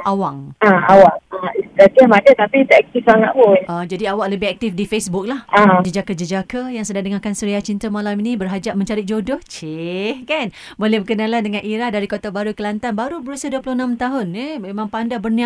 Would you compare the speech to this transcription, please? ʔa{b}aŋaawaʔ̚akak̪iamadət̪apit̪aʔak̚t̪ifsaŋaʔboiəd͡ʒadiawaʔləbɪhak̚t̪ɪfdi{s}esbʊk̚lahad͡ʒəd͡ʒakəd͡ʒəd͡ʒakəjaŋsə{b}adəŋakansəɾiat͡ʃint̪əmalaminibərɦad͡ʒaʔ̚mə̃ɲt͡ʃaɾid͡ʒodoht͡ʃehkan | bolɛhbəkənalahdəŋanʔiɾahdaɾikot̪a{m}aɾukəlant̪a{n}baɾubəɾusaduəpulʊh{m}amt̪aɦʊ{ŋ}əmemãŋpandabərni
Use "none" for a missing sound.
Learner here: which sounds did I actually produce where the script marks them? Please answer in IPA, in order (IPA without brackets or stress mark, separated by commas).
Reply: w, f, d, b, n, n, n